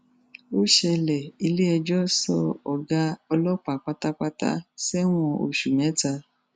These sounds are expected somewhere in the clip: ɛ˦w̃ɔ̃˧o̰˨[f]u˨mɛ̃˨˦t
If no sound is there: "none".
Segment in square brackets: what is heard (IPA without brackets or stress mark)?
ʃ